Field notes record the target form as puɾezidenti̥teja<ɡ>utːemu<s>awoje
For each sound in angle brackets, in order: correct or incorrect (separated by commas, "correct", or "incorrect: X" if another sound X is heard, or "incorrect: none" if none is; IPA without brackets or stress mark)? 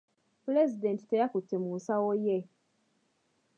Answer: incorrect: k, correct